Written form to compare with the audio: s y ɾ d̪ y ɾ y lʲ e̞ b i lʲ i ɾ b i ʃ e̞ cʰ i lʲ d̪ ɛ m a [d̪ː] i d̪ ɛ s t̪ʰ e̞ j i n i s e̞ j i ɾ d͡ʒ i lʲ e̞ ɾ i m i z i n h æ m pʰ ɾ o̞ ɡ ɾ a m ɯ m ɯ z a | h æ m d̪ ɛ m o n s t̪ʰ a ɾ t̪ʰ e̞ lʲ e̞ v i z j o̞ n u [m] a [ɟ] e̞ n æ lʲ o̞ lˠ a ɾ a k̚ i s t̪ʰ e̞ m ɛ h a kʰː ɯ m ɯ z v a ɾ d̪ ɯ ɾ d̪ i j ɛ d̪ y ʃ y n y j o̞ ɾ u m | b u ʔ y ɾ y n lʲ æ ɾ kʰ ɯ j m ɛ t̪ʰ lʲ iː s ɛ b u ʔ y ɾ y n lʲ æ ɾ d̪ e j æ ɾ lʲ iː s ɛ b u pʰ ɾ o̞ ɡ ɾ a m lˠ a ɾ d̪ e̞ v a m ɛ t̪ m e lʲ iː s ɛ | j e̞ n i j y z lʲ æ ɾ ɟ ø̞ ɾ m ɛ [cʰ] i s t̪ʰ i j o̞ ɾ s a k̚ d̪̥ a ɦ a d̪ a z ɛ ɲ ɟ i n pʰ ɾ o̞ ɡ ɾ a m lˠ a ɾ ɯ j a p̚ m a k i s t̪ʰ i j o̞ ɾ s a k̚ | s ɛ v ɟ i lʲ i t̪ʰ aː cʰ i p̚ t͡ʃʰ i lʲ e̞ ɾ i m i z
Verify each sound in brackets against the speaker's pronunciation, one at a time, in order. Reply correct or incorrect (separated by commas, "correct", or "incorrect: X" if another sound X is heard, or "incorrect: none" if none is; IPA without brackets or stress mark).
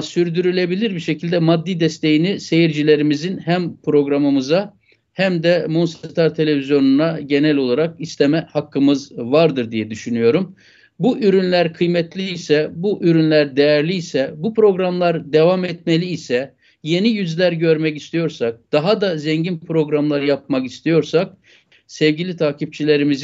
correct, incorrect: n, correct, incorrect: c